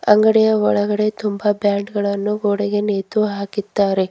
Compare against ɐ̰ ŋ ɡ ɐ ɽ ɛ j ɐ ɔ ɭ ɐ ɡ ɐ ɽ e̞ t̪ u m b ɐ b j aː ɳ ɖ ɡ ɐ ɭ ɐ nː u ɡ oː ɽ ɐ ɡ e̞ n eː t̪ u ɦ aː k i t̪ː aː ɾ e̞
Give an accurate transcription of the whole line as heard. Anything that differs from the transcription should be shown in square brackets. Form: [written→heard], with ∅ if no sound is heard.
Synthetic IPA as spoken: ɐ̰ ŋ ɡ ɐ ɽ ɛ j ɐ ɔ ɭ ɐ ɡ ɐ ɽ e̞ t̪ u m b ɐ b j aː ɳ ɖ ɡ ɐ ɭ ɐ nː u ɡ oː ɽ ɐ ɡ e̞ n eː t̪ u ɦ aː k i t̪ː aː ɾ e̞